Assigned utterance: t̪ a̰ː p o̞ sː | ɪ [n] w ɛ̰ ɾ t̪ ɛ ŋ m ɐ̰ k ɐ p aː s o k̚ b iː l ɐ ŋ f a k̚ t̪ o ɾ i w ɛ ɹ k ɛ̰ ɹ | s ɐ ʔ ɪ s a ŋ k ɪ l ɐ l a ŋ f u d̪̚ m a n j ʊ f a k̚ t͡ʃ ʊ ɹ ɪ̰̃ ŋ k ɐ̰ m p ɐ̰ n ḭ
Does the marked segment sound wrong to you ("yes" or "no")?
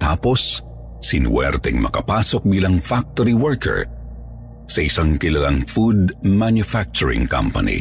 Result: no